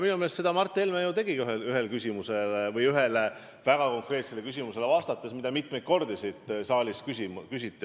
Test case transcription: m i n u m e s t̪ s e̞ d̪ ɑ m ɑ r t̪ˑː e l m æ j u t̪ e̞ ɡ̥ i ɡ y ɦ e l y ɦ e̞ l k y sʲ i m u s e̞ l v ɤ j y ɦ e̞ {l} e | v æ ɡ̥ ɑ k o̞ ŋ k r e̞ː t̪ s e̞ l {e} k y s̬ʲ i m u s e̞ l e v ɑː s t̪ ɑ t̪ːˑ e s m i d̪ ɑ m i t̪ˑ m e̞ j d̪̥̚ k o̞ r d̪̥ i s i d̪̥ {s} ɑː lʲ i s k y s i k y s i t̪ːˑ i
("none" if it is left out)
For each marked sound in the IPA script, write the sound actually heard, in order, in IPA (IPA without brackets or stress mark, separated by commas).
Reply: l, e, s